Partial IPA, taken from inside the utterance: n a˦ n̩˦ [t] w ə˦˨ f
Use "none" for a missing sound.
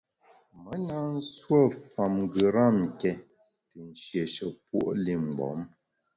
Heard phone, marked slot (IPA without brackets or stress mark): s